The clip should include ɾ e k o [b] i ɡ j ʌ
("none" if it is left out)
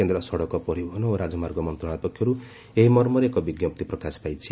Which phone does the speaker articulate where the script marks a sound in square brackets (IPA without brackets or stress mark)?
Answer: b